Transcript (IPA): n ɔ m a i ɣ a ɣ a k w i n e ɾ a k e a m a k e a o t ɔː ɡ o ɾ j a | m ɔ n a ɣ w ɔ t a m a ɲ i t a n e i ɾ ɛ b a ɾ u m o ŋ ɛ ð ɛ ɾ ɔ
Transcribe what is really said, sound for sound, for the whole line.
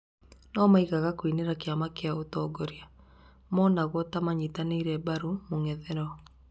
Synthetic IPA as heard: n ɔ m a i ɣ a ɣ a k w i n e ɾ a k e a m a k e a o t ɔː ɡ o ɾ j a | m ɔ n a ɣ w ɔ t a m a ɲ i t a n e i ɾ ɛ b a ɾ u m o ŋ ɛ ð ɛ ɾ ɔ